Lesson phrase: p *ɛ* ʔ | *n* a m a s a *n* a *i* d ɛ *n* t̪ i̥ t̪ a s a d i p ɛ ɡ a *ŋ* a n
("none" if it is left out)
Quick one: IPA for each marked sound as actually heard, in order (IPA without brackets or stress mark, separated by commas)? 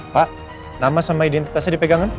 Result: a, n, m, i, n, ŋ